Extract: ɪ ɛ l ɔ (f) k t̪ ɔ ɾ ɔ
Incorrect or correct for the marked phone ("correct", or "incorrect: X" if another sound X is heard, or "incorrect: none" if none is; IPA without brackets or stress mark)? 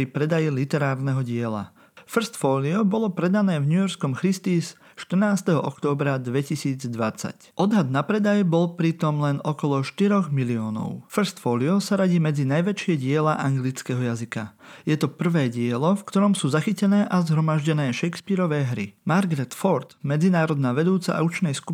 correct